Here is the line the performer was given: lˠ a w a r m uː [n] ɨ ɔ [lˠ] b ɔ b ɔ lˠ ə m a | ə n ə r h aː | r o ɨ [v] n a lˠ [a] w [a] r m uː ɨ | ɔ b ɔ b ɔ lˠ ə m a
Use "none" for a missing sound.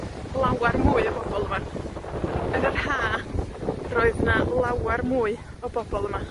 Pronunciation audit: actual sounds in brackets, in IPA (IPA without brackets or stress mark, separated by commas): none, none, ð, a, a